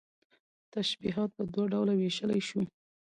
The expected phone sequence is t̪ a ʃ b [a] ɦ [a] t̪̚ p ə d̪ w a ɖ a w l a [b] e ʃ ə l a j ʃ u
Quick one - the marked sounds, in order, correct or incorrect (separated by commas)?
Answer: incorrect, incorrect, incorrect